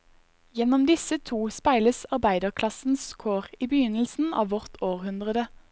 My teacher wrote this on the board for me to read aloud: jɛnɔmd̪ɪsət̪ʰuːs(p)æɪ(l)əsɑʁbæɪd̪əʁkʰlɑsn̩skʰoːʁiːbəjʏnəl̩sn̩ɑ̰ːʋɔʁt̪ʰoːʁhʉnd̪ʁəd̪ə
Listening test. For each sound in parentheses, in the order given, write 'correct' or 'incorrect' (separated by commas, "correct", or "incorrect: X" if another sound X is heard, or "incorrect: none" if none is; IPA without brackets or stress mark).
correct, correct